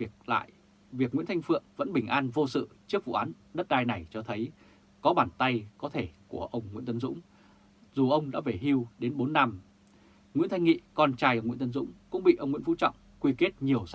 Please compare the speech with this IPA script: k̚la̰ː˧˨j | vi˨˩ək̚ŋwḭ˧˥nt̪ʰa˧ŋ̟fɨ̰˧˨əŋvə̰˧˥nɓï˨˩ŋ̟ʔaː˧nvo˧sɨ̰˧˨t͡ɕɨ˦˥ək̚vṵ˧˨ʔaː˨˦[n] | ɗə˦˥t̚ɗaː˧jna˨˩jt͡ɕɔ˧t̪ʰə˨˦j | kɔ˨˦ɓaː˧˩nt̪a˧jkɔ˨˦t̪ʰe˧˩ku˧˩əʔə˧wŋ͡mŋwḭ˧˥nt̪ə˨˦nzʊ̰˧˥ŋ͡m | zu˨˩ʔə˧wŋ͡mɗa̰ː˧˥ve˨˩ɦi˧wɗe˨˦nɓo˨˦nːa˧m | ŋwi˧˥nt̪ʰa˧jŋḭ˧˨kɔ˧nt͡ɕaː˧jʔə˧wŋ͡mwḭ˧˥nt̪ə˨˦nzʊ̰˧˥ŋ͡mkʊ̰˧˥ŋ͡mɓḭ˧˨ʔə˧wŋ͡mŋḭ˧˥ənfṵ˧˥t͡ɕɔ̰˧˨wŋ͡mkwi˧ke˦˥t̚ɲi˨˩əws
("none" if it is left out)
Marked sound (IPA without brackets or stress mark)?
n